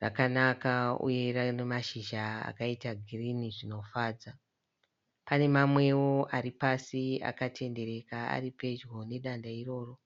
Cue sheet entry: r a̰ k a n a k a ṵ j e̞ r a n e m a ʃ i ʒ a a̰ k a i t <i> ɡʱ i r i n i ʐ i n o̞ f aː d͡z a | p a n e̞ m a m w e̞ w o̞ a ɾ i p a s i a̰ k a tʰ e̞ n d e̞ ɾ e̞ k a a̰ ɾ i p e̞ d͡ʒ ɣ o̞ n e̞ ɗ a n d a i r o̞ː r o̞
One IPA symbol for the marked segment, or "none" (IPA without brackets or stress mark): a